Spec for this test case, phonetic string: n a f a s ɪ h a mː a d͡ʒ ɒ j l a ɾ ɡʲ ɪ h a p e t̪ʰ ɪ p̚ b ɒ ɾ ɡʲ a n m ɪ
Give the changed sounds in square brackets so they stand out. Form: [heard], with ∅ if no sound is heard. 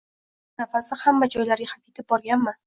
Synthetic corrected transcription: n a f a s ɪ h a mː a d͡ʒ ɒ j l a ɾ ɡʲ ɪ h a p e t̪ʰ ɪ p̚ b ɒ ɾ ɡʲ a n m ɪ